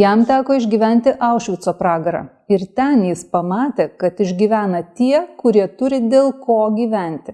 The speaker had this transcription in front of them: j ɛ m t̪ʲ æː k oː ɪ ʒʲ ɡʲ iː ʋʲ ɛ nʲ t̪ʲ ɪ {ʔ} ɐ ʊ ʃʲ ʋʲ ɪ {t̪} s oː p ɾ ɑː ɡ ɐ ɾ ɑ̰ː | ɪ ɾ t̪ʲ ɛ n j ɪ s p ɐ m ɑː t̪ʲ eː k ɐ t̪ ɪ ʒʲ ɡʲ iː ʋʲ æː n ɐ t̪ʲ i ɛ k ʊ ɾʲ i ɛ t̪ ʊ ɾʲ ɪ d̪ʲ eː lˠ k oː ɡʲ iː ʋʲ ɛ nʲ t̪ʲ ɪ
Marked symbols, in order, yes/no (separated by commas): yes, yes